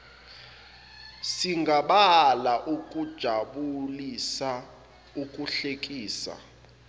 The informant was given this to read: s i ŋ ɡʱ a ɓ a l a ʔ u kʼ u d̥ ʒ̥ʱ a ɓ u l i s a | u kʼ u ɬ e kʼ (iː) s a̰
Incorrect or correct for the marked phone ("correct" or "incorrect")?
correct